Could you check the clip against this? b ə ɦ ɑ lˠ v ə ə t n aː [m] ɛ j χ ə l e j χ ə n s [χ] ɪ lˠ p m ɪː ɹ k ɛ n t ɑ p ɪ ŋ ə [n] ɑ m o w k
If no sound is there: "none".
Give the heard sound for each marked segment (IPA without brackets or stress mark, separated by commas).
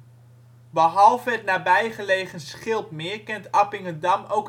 b, χ, d